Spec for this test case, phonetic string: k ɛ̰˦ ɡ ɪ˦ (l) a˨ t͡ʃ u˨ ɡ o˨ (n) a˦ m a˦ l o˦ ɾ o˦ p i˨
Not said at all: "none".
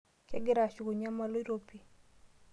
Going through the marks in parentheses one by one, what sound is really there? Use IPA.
ɾ, ɲ

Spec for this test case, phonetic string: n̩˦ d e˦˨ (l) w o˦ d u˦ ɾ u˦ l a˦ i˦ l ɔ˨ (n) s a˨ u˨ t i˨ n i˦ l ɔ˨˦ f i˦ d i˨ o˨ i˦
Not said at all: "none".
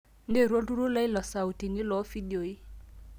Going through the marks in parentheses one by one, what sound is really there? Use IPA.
ɾ, none

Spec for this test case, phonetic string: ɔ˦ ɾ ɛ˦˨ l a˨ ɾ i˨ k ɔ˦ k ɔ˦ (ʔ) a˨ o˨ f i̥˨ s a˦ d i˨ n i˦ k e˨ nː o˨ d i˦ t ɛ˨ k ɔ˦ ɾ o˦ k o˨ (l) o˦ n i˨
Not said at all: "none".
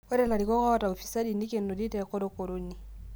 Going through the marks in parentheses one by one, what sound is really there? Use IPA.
t, ɾ

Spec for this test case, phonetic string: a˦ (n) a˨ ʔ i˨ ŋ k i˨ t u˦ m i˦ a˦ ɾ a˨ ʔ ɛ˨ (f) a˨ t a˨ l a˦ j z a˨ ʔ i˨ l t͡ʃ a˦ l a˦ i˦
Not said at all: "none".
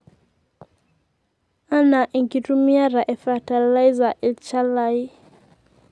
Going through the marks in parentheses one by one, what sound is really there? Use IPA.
n, f

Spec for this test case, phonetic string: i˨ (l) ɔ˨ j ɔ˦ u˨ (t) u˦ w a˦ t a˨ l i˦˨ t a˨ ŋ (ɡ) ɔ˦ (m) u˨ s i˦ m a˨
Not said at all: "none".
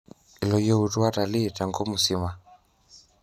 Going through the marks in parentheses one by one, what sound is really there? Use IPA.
l, t, ɡ, m

